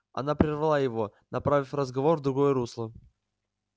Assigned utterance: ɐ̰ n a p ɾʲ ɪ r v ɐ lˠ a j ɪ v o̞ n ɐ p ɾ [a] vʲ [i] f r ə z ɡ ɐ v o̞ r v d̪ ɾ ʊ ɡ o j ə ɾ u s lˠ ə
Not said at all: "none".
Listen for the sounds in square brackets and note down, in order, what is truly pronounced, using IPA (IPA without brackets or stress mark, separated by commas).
a, ɪ